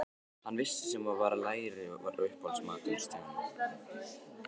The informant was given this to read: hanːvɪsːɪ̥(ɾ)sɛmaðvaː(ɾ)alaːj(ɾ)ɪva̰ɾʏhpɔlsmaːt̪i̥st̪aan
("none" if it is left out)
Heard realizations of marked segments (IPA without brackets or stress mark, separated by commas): none, ɾ, ɾ